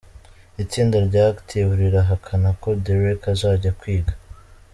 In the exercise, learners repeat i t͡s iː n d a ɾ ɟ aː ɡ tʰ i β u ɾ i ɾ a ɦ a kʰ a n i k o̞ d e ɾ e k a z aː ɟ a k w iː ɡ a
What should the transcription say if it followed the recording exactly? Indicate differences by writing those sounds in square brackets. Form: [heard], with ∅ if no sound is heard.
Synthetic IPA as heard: i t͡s iː n d a ɾ ɟ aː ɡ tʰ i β u ɾ i ɾ a ɦ a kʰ a n [a] k o̞ d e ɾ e k a z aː ɟ a k w iː ɡ a